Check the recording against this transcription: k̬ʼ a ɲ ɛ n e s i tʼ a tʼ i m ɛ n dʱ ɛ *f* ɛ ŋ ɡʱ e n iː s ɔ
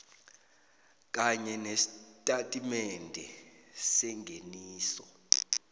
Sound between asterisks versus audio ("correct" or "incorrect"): incorrect